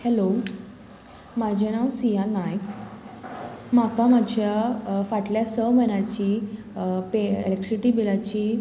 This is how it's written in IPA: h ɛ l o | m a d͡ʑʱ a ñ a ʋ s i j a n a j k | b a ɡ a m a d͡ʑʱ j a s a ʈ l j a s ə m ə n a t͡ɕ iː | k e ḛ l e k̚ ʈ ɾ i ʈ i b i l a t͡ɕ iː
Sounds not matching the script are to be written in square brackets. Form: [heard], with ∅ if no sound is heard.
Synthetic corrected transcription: h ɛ l o | m a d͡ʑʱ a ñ a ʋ s i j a n a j k | [m] a [k] a m a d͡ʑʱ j a [f] a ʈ l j a s ə m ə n a t͡ɕ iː | [p] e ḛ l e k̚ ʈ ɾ i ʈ i b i l a t͡ɕ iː